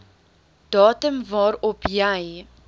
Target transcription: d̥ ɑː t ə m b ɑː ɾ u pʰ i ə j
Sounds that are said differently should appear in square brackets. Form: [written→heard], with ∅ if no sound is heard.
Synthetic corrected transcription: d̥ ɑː t ə m [b→v] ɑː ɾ [u→ɔ] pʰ [i→j] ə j

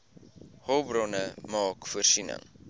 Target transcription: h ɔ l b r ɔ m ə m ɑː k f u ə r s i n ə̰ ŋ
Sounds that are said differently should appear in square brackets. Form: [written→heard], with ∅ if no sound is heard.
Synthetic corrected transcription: h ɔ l b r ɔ [m→n] ə m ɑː k f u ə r s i n ə̰ ŋ

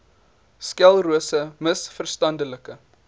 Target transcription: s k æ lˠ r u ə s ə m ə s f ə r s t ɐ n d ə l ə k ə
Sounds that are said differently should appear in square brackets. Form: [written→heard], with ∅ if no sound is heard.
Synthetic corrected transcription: s k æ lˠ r u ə s ə m ə s f ə r s t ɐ n d ə l ə k ə

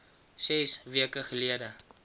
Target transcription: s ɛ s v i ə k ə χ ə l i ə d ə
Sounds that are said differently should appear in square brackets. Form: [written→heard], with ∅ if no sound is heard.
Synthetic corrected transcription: s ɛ s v i ə k ə χ ə l i ə d ə

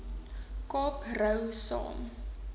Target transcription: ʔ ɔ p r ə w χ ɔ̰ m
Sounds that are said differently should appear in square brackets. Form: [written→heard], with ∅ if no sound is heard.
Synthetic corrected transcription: [ʔ→k] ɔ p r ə w [χ→s] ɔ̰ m

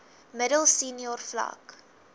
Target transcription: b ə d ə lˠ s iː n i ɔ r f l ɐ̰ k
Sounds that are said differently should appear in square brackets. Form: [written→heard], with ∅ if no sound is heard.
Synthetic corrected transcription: [b→m] ə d ə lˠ s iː n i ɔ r f l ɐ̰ k

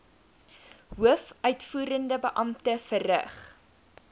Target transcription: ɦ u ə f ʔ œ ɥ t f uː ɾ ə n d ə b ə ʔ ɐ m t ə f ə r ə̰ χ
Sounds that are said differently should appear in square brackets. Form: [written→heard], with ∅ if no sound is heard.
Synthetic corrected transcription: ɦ u ə f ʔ œ ɥ t f uː ɾ ə n d ə b ə ʔ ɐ m t ə f ə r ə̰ χ

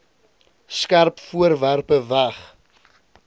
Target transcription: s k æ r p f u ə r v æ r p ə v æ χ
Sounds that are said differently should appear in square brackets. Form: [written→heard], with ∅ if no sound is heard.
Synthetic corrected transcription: s k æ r p f u ə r v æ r p ə v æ χ

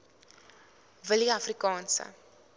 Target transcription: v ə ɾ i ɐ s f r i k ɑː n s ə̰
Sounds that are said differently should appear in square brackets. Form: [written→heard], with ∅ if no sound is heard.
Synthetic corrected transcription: v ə [ɾ→l] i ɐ [s→∅] f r i k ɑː n s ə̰

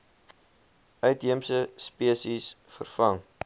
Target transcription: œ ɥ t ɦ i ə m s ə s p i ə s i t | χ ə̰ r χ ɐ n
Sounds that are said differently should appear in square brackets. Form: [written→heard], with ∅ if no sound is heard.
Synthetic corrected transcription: œ ɥ t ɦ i ə m s ə s p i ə s i [t→s] | [χ→f] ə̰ r [χ→f] ɐ [n→ŋ]

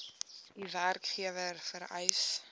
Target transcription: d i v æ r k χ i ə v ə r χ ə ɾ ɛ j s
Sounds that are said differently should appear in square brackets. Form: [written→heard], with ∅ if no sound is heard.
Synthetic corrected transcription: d i v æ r k χ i ə v ə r [χ→f] ə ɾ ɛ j s

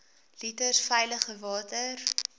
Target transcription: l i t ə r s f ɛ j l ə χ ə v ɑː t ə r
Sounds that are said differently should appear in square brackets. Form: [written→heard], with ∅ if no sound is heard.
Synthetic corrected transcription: l i t ə r s f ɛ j l ə χ ə v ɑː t ə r

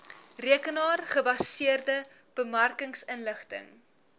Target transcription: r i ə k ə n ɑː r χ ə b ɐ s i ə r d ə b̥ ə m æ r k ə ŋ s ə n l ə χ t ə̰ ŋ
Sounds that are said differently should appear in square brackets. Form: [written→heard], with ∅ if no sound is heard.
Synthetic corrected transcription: r i ə k ə n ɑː r χ ə b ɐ s i ə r d ə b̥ ə m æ r k ə ŋ s ə n l ə χ t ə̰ ŋ

